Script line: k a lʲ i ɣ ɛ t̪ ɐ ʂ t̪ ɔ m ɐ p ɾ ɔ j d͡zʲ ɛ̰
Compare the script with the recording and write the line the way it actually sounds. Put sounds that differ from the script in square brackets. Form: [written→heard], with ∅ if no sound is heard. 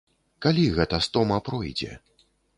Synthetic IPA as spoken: k a lʲ i ɣ ɛ t̪ ɐ [ʂ→s] t̪ ɔ m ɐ p ɾ ɔ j d͡zʲ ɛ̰